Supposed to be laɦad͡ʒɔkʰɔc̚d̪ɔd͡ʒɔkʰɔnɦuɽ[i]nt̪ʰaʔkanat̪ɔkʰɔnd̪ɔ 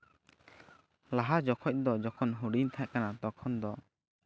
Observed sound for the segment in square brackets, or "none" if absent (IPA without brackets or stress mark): i